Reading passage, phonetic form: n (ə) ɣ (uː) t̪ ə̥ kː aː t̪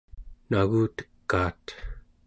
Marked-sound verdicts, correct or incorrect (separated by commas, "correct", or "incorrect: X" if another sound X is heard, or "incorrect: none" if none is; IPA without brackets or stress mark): incorrect: a, correct